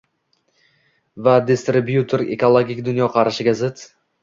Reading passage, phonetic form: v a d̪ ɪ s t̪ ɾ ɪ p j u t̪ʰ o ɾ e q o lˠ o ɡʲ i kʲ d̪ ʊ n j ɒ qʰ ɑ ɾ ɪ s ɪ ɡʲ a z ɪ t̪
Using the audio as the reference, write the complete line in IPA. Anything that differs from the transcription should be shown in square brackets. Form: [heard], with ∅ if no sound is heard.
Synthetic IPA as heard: v a d̪ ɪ s t̪ ɾ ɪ [b] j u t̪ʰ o ɾ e [k] o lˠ o ɡʲ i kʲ d̪ ʊ n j ɒ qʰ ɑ ɾ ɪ [ʃ] ɪ ɡʲ a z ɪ t̪